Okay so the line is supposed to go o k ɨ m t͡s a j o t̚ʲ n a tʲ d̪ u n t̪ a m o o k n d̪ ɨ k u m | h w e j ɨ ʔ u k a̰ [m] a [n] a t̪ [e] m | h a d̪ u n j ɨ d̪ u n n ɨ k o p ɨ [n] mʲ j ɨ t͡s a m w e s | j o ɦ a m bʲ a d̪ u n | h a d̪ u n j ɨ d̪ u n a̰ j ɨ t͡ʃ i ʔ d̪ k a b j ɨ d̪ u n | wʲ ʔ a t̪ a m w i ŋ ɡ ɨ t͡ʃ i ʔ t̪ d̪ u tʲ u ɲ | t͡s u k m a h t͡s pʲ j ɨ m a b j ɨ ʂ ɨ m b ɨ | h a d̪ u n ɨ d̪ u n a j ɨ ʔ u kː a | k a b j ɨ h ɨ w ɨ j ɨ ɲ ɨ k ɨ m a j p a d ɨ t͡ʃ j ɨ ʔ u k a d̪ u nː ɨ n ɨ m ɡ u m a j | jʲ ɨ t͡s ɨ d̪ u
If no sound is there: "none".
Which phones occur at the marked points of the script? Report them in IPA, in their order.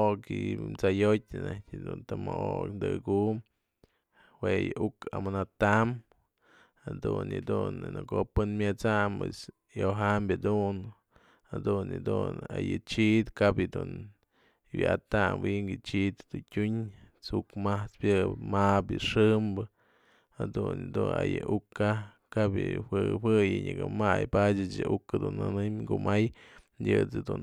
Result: m, n, a, n

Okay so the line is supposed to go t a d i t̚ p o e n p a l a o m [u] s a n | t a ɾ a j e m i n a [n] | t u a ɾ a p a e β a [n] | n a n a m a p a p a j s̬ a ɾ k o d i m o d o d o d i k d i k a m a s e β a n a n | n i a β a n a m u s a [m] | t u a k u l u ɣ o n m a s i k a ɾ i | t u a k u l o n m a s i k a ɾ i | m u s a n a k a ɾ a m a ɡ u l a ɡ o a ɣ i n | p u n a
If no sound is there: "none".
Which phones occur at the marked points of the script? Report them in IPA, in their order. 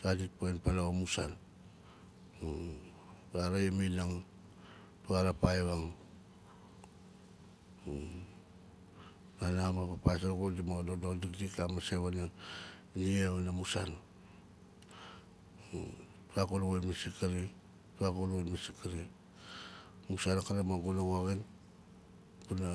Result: u, ŋ, ŋ, n

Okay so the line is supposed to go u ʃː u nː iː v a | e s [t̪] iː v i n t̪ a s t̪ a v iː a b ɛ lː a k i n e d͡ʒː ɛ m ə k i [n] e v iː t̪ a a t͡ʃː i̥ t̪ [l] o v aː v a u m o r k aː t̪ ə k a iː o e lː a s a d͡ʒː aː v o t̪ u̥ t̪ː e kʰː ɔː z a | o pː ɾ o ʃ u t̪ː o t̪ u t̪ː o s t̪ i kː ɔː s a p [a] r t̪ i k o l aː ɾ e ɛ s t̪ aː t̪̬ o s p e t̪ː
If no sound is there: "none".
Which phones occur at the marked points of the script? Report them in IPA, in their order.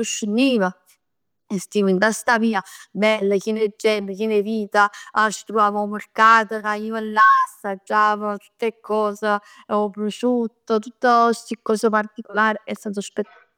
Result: t̪, n, ɾ, a

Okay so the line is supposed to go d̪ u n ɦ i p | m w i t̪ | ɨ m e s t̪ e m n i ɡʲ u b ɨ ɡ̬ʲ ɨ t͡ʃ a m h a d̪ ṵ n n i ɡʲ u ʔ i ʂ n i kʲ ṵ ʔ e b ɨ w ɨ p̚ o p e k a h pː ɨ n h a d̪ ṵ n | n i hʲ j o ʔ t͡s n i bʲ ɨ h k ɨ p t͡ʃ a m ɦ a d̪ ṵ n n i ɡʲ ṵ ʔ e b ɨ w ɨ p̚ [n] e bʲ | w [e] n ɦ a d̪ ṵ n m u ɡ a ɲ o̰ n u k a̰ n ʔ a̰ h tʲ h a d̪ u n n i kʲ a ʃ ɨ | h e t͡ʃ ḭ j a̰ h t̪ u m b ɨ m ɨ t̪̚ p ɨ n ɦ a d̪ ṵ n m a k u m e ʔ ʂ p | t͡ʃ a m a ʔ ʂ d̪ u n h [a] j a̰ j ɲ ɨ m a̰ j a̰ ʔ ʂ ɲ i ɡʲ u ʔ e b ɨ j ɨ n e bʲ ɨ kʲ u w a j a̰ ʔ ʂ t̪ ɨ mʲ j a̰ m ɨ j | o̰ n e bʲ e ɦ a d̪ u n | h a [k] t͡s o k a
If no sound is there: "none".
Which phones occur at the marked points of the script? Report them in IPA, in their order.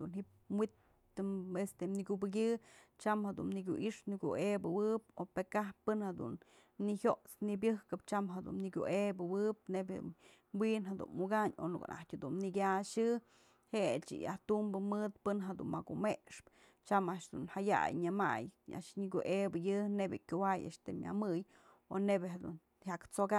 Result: n, i, a, k

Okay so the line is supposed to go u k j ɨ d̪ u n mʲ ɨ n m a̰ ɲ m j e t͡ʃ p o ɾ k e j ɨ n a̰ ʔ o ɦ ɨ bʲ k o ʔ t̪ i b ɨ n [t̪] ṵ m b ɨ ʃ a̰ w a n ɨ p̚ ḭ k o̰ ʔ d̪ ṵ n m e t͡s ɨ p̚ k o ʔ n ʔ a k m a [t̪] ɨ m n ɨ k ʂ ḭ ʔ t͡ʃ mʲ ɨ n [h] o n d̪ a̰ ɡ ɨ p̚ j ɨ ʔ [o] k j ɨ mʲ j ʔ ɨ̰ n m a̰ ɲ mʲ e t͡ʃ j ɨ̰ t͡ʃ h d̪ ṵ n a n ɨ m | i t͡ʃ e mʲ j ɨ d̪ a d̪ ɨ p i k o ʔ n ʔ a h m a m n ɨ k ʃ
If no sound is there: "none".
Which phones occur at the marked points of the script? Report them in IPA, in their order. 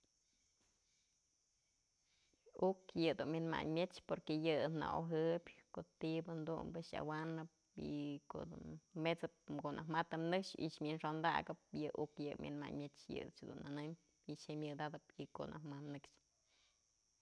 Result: d̪, t̪, ʂ, u

